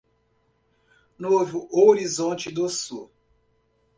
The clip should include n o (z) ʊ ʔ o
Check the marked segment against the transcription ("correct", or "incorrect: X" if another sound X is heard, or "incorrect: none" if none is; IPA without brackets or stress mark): incorrect: v